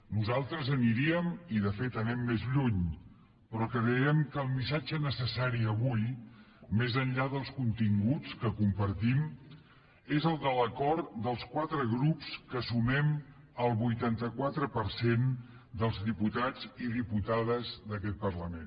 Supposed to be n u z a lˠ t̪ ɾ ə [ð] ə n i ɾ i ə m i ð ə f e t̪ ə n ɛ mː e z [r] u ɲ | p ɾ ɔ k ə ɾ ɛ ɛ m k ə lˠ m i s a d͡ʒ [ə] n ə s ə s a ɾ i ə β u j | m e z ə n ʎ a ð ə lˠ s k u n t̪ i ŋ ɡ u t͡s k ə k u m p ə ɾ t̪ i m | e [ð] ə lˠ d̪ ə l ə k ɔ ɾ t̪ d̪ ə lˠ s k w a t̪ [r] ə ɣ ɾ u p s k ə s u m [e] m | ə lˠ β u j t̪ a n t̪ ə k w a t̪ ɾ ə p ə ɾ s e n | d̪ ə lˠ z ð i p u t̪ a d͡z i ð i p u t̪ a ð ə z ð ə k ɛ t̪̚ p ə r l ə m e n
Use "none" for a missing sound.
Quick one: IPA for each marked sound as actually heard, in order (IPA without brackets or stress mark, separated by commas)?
z, ʎ, ə, z, ɾ, ɛ